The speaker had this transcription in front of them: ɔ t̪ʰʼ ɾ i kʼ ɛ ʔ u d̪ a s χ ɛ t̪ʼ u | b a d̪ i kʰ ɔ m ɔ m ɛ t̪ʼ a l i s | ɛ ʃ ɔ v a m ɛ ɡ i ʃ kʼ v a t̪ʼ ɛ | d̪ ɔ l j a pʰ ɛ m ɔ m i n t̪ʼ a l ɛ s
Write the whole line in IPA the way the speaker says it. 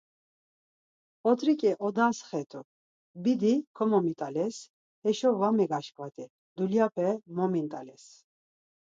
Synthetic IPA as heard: ɔ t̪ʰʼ ɾ i kʼ ɛ ʔ ɔ d̪ a s χ ɛ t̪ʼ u | b i d̪ i kʰ ɔ m ɔ m i t̪ʼ a l ɛ s | ɛ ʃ ɔ v a m ɛ ɡ a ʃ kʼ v a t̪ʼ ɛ | d̪ u l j a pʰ ɛ m ɔ m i n t̪ʼ a l ɛ s